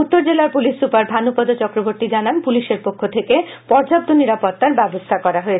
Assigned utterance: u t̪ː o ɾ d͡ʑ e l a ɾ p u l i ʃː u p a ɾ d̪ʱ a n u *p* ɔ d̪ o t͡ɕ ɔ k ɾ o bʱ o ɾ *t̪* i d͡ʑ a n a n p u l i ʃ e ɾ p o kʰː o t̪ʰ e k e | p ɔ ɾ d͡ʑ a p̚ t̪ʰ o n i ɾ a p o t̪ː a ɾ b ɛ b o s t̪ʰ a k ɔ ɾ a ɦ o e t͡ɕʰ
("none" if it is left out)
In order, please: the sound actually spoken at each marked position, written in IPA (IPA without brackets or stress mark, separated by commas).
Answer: p, t̪